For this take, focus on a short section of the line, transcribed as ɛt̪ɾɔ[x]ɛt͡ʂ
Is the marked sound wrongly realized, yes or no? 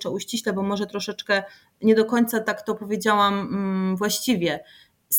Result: yes